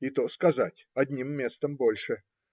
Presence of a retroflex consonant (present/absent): present